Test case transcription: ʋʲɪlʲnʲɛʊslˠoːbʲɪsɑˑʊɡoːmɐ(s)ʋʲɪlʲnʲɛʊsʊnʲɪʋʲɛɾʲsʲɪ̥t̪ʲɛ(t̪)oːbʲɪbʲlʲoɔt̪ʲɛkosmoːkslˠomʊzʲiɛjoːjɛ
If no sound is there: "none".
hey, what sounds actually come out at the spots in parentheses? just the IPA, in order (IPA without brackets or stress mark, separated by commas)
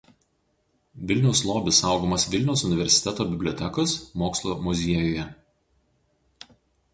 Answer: s, t̪